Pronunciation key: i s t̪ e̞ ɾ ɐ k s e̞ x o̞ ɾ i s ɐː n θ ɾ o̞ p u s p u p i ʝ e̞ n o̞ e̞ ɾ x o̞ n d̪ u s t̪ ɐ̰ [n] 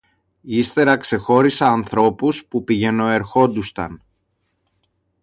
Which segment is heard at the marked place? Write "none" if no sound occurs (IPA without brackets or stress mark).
n